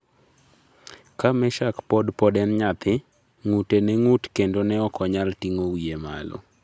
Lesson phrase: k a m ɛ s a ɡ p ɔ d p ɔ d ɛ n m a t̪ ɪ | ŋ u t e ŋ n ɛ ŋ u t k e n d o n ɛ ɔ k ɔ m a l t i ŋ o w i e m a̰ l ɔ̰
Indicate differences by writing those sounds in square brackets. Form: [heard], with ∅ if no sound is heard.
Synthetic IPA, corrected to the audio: k a m ɛ [ʃ] a [k] p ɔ d p ɔ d ɛ n [ɲ] a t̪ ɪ | ŋ u t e [∅] n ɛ ŋ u t k e n d o n ɛ ɔ k ɔ [ɲ] a l t i ŋ o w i e m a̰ l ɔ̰

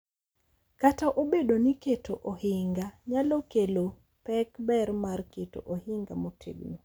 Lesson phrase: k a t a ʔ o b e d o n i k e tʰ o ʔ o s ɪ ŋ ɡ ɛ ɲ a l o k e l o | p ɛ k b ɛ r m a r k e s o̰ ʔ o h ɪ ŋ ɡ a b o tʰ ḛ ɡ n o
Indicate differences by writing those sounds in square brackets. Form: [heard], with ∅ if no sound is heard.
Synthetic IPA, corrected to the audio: k a t a ʔ o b e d o n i k e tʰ o ʔ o [h] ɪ ŋ ɡ [a] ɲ a l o k e l o | p ɛ k b ɛ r m a r k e [t] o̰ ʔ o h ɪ ŋ ɡ a [m] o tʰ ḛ ɡ n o

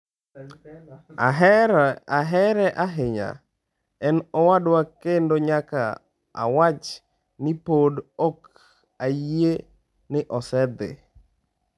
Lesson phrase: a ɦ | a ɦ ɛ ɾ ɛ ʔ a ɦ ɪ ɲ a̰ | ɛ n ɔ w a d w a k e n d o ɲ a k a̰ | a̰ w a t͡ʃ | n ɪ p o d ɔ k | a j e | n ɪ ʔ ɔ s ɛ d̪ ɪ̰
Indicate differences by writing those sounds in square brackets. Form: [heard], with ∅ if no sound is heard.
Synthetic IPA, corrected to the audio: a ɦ | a ɦ ɛ ɾ ɛ ʔ a ɦ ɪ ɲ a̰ | ɛ n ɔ w a d w a k e n d o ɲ a k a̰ | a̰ w a t͡ʃ | n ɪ p o d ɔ k | a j e | n ɪ ʔ ɔ s ɛ d̪ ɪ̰

